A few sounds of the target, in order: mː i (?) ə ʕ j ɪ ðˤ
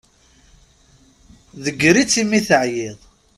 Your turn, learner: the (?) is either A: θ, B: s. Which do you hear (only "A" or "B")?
A